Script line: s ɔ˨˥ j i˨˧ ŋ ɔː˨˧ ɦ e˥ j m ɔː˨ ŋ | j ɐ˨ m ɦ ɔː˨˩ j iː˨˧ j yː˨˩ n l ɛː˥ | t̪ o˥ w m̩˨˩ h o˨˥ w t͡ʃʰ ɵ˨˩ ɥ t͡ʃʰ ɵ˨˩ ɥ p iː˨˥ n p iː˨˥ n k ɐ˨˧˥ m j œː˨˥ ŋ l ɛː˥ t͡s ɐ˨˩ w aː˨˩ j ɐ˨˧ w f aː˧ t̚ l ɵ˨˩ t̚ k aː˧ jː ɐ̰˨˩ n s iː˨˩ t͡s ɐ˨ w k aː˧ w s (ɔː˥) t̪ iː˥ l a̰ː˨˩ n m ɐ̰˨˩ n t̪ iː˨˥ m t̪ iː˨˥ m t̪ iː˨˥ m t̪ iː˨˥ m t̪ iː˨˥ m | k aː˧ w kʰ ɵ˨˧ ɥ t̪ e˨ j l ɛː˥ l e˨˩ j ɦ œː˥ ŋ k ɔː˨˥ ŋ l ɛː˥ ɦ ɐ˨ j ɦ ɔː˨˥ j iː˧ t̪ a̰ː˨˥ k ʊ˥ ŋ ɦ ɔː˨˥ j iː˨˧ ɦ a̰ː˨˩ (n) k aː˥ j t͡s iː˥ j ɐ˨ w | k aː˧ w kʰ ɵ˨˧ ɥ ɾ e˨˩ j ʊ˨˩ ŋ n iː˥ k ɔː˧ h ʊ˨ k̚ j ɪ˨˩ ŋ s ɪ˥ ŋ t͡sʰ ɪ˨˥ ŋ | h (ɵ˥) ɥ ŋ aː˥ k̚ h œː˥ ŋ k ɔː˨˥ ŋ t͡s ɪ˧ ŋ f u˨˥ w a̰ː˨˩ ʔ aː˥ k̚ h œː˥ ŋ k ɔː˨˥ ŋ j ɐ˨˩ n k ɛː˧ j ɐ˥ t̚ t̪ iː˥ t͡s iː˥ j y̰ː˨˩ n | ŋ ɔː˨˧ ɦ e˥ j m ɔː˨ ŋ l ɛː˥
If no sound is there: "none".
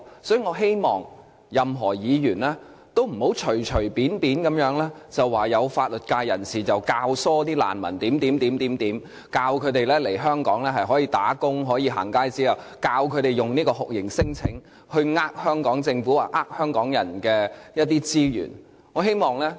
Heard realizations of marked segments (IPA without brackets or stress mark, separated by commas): ɔː˥, ŋ, ɵ˧